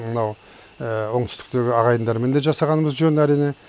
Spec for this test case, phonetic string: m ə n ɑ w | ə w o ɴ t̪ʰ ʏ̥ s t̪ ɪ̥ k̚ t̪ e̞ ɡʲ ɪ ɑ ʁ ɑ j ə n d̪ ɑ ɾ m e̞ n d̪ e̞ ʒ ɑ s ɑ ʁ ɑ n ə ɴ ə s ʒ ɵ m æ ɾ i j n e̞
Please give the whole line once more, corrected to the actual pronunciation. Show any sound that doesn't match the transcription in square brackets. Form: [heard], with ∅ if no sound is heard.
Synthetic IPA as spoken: m ə n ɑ w | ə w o ɴ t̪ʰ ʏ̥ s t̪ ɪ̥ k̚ t̪ e̞ ɡʲ ɪ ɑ ʁ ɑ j ə n d̪ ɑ ɾ m e̞ n d̪ e̞ ʒ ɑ s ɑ ʁ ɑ n ə [m] ə [z] ʒ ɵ [n] æ ɾ i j n e̞